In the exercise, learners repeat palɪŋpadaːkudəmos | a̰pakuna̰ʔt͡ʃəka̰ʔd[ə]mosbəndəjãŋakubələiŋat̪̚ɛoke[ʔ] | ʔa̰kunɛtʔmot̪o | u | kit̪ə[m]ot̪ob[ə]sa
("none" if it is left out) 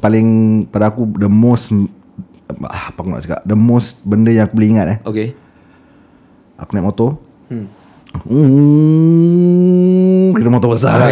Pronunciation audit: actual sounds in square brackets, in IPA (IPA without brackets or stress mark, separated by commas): ə, none, m, ə